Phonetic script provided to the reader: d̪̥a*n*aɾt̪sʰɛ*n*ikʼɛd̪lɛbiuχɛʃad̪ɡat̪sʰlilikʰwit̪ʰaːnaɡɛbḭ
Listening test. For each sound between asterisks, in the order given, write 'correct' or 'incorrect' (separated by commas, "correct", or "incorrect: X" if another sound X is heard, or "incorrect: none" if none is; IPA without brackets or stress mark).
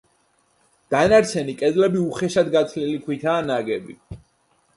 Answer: correct, correct